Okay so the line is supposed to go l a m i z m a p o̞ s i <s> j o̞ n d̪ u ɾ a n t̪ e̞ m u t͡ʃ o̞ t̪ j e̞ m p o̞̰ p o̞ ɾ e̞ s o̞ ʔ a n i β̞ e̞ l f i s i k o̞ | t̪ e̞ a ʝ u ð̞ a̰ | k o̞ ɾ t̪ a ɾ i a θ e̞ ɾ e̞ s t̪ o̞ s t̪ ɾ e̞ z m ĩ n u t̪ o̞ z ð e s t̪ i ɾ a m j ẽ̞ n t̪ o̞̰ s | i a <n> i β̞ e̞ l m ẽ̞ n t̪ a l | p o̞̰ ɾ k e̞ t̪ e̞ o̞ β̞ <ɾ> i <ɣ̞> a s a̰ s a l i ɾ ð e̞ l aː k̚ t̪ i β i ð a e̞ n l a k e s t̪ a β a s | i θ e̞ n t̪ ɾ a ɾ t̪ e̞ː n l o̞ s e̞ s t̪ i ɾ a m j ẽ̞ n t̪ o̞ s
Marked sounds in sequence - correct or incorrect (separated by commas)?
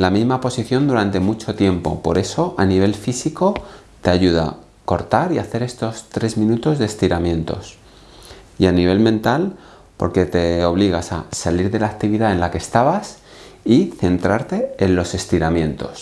incorrect, correct, incorrect, correct